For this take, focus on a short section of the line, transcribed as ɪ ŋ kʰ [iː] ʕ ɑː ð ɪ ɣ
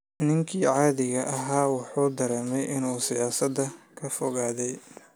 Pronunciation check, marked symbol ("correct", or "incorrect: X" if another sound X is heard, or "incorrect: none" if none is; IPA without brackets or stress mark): correct